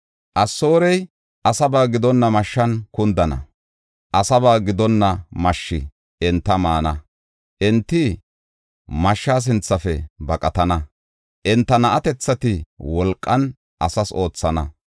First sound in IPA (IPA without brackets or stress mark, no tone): ʔ